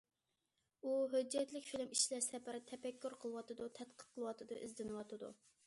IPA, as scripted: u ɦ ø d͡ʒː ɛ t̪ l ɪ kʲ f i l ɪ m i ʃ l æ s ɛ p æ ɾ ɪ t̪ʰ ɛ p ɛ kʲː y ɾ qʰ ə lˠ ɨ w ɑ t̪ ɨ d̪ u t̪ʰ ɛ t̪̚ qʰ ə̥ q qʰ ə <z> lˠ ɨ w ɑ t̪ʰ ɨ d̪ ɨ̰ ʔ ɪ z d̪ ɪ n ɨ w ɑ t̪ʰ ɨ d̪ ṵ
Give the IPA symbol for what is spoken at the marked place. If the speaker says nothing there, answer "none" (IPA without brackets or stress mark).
none